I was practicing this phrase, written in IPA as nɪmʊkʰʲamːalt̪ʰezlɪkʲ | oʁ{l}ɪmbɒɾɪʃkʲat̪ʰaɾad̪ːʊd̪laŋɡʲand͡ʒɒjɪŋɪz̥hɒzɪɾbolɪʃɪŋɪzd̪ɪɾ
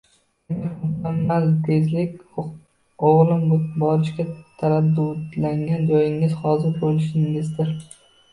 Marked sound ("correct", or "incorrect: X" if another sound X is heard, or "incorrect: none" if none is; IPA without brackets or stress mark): correct